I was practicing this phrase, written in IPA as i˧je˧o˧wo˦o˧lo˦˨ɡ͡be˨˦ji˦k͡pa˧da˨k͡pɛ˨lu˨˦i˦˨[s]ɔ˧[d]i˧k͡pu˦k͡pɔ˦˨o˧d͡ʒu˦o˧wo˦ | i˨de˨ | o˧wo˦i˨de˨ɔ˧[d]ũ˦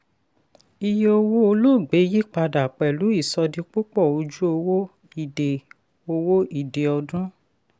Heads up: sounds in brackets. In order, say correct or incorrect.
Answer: correct, correct, correct

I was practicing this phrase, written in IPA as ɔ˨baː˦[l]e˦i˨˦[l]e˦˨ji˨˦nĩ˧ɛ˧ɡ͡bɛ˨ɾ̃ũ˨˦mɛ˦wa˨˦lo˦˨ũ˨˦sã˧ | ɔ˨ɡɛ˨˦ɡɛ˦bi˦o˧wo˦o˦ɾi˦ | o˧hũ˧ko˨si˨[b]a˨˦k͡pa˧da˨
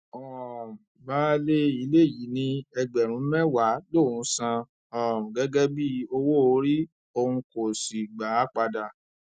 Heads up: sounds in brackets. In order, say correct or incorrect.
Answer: correct, correct, incorrect: ɡ͡b

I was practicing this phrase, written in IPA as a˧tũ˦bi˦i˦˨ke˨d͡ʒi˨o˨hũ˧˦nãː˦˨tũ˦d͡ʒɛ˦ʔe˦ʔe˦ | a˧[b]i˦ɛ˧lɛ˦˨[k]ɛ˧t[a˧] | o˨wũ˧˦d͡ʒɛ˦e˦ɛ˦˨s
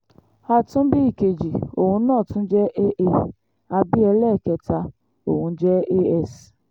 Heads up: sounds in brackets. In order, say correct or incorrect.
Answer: correct, correct, correct

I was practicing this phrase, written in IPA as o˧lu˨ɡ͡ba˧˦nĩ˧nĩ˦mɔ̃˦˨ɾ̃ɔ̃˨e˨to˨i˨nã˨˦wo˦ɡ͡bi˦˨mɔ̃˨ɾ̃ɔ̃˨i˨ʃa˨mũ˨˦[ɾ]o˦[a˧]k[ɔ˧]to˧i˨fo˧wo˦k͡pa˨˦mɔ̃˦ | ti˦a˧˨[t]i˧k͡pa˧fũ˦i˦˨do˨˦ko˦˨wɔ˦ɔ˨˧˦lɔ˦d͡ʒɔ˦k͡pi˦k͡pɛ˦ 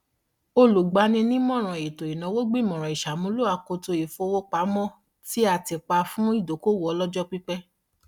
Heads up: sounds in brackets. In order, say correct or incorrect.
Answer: incorrect: l, correct, incorrect: o˧, correct

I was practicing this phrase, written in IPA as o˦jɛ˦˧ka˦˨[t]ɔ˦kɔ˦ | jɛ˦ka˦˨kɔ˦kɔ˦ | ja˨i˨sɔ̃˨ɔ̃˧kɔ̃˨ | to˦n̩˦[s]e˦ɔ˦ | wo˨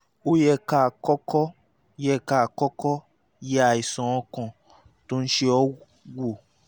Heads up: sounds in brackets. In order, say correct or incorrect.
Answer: incorrect: k, incorrect: ʃ

